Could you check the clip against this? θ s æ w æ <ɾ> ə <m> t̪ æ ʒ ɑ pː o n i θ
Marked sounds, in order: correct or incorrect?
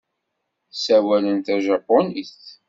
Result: incorrect: l, incorrect: n

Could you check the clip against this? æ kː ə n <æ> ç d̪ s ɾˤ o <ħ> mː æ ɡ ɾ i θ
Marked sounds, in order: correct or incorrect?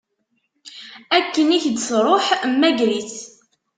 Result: incorrect: i, correct

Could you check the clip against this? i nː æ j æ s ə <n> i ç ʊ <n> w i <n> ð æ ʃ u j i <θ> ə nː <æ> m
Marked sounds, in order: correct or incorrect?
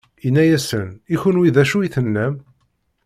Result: correct, correct, incorrect: none, correct, correct

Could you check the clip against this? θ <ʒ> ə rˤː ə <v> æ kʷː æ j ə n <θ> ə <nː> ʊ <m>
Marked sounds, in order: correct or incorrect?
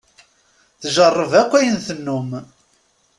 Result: correct, correct, correct, correct, correct

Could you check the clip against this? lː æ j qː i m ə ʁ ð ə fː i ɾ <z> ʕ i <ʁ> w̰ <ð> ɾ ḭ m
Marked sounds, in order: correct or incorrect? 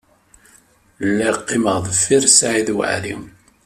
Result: incorrect: s, incorrect: ð, incorrect: ʕ

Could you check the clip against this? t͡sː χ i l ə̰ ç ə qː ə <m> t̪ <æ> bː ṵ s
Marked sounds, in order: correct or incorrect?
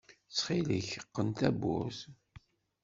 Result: incorrect: n, correct

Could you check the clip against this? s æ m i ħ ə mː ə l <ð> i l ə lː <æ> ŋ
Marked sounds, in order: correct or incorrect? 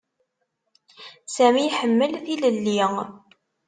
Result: incorrect: θ, incorrect: i

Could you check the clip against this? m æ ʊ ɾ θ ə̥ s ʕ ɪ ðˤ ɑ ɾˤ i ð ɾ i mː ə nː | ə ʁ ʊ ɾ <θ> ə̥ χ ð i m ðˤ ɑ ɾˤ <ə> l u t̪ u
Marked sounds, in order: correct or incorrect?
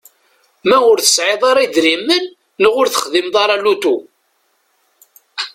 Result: correct, incorrect: ɑ

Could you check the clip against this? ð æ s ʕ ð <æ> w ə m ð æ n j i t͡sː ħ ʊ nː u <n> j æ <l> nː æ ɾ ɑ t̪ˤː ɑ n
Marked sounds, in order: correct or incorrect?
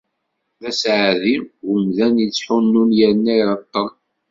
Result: incorrect: i, correct, incorrect: ɾ

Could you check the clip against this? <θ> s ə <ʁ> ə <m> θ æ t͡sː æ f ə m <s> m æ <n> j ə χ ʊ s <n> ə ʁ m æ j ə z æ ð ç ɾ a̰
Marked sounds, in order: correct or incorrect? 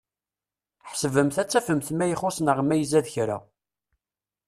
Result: incorrect: ħ, incorrect: v, correct, incorrect: θ, incorrect: none, correct

